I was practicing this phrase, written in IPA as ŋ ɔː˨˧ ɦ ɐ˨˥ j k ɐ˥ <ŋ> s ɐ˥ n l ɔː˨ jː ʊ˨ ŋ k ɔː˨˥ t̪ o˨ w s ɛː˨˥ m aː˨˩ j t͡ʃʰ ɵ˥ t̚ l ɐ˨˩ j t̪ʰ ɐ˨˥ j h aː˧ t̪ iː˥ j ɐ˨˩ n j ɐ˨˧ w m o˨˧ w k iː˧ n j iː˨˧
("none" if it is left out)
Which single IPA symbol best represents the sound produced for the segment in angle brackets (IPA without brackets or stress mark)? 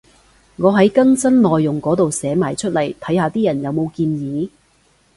ŋ